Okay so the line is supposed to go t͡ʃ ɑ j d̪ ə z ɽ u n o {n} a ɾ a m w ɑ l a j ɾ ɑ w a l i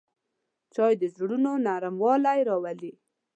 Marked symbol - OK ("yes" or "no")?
yes